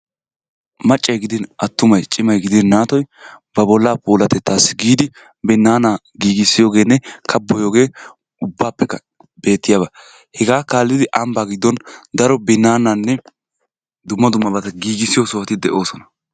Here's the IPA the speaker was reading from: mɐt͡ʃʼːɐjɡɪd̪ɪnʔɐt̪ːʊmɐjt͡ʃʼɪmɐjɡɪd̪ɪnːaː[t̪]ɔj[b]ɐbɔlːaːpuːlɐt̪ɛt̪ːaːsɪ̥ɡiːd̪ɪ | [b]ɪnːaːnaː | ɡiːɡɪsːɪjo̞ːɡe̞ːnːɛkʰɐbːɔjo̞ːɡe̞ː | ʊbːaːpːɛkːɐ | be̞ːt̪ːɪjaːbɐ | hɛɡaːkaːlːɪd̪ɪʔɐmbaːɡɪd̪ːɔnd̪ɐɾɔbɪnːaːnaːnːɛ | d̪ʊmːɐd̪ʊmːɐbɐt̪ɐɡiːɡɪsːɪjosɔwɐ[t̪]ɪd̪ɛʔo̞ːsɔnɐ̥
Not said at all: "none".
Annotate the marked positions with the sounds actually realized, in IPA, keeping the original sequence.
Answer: t̪, b, b, t̪

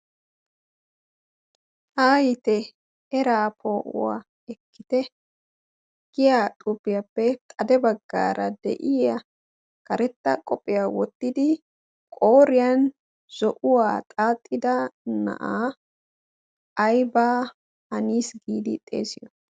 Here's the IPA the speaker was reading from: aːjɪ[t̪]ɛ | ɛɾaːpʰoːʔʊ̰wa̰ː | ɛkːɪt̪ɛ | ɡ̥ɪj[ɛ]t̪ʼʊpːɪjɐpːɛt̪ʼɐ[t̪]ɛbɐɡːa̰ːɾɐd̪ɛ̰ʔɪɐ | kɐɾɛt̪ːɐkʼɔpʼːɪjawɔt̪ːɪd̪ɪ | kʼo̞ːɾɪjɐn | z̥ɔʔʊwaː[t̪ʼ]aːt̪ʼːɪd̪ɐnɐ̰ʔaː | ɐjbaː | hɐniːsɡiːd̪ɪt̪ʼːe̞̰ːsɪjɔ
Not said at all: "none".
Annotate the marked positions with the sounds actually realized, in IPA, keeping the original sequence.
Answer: t̪, a, d̪, t̪ʼ

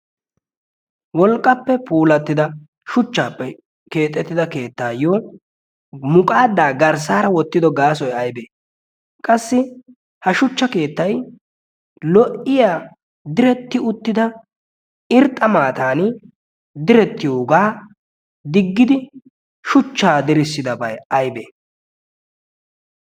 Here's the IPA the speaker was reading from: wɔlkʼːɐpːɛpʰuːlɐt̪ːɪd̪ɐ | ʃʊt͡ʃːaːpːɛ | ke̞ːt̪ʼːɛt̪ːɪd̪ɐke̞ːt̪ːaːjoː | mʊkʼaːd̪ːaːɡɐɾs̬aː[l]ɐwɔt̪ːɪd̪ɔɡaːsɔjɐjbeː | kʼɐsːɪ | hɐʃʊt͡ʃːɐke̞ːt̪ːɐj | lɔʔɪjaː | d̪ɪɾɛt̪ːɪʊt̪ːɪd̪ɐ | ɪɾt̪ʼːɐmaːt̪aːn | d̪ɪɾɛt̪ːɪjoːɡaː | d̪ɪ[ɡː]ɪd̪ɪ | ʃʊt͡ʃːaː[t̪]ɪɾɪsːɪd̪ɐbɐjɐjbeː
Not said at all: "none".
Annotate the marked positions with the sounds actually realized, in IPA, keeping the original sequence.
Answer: ɾ, ɡː, d̪

